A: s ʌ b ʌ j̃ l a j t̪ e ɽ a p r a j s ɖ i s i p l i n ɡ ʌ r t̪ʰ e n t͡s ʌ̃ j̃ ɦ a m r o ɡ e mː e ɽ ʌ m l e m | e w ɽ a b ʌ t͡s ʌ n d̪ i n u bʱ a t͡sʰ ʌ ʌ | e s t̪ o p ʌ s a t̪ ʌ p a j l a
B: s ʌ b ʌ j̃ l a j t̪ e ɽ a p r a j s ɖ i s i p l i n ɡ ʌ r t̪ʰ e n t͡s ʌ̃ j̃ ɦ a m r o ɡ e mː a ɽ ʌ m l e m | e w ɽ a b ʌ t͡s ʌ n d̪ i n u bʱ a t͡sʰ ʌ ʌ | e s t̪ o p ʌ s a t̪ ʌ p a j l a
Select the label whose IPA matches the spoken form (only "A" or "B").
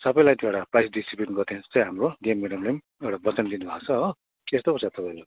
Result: A